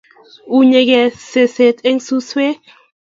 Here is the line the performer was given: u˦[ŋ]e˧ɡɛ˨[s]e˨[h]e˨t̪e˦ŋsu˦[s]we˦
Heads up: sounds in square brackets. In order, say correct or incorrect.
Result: incorrect: ɲ, correct, incorrect: s, correct

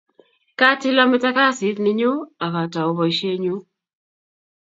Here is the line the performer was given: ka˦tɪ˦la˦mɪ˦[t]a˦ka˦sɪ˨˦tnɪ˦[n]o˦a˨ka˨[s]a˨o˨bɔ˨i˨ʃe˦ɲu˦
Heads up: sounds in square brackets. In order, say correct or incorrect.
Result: correct, incorrect: ɲ, incorrect: t

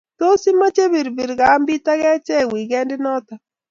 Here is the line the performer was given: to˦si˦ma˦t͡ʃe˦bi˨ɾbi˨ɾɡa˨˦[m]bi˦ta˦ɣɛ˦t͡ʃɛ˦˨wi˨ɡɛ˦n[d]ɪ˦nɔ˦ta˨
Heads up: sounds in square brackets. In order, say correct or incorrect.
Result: correct, correct

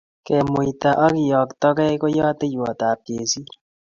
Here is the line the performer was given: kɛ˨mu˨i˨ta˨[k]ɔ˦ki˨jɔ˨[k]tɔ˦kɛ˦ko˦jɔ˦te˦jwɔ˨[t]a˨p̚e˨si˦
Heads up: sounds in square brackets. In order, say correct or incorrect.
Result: incorrect: ʔ, correct, correct

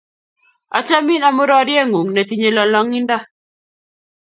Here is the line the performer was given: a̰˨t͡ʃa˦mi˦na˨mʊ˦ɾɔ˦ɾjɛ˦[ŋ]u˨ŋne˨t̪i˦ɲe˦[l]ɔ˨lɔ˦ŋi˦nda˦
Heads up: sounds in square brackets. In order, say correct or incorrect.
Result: correct, correct

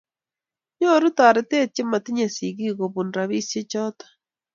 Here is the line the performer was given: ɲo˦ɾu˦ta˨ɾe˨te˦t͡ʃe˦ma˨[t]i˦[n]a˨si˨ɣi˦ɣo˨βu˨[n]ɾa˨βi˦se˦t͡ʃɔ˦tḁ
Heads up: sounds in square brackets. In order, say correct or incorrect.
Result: correct, incorrect: ɲ, correct

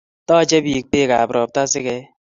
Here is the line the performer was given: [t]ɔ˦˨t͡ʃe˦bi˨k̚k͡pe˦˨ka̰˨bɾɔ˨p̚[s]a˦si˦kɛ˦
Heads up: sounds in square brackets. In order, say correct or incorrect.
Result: correct, incorrect: t

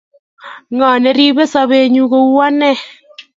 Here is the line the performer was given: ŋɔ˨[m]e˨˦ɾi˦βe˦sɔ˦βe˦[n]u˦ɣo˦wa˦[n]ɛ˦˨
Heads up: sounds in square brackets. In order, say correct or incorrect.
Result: incorrect: n, incorrect: ɲ, correct

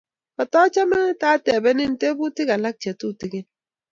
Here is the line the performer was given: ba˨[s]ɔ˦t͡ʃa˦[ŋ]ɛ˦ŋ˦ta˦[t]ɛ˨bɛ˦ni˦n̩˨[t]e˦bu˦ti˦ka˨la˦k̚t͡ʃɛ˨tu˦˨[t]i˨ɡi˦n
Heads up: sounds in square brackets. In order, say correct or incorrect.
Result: incorrect: t, incorrect: m, correct, correct, correct

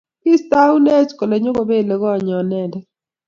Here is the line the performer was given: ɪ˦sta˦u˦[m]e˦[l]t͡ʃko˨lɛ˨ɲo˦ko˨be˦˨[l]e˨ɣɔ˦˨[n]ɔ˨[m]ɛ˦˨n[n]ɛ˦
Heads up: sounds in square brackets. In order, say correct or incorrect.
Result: incorrect: n, incorrect: none, correct, incorrect: ɲ, incorrect: n, incorrect: d

